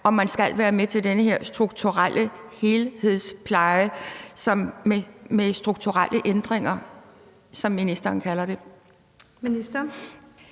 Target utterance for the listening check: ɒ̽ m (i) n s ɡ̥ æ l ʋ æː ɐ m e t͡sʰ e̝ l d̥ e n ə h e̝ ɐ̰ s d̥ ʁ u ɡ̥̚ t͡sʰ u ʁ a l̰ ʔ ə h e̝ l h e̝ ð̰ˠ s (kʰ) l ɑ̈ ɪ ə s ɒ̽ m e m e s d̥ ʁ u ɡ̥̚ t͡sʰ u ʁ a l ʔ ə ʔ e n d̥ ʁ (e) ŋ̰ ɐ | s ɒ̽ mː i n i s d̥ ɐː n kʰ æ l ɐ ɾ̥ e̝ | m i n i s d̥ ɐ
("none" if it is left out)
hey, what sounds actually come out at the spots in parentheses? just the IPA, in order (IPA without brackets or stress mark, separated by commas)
æ, pʰ, e